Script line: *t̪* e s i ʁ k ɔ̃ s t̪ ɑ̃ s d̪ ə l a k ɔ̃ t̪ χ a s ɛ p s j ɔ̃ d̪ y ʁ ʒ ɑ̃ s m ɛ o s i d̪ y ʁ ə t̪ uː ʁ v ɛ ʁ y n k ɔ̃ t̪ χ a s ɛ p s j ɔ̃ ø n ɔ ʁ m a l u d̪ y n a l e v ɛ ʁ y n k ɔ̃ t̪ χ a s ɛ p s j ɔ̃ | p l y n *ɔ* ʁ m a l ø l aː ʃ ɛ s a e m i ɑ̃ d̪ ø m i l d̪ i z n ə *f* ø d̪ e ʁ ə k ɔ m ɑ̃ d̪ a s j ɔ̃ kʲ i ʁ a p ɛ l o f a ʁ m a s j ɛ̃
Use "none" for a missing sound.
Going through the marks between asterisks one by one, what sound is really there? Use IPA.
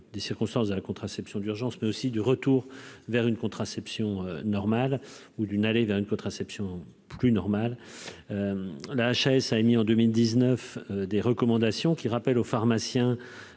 d̪, ɔ, f

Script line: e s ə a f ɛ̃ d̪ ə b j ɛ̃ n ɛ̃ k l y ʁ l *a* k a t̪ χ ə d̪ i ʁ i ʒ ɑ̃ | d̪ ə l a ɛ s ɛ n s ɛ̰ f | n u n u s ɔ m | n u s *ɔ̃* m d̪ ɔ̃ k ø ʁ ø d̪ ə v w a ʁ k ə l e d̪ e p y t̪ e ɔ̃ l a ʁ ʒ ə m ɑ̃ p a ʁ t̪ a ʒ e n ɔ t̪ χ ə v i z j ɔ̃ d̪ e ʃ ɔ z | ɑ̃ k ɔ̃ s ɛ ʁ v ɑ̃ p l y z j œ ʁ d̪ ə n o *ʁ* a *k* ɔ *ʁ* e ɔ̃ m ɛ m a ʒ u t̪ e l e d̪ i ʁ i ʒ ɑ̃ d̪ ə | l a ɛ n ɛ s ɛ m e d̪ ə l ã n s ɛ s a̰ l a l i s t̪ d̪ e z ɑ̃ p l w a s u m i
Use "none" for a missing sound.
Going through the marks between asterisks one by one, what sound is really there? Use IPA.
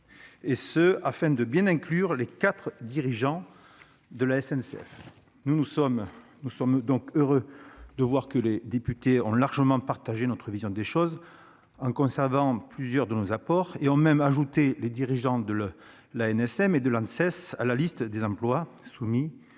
e, ɔ, z, p, ʁ

